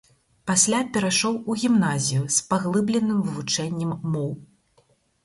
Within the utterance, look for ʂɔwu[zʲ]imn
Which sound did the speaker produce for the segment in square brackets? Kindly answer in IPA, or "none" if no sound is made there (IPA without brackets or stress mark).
ɣʲ